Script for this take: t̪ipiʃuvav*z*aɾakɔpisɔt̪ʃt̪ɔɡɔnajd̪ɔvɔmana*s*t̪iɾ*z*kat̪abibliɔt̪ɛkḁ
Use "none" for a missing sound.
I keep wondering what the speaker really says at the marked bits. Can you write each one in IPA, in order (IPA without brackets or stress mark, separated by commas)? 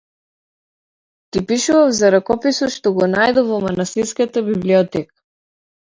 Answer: z, s, s